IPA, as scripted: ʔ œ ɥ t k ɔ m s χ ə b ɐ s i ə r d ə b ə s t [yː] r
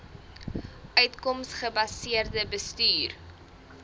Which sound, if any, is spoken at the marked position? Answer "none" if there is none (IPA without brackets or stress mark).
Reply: yː